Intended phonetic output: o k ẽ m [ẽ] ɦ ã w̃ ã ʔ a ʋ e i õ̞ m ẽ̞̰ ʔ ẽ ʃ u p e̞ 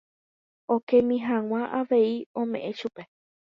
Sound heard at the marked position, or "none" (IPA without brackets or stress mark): ĩ